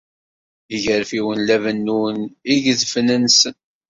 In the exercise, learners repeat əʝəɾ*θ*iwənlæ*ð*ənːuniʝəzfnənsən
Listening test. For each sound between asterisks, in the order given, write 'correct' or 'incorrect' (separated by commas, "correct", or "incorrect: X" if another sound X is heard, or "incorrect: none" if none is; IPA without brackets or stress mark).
incorrect: f, incorrect: v